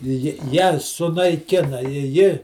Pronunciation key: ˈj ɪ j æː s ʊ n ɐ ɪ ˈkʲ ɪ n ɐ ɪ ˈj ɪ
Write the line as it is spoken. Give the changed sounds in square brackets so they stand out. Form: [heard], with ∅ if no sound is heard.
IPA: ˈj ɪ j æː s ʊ n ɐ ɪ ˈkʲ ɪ n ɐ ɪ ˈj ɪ